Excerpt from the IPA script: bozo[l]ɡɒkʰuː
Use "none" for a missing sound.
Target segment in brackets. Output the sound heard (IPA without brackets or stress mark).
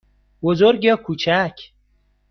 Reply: ɾ